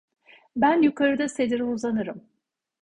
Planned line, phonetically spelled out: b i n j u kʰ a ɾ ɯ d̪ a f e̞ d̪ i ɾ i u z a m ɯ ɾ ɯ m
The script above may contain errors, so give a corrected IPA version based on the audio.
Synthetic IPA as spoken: b æ n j u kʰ a ɾ ɯ d̪ a s e̞ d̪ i ɾ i u z a n ɯ ɾ ɯ m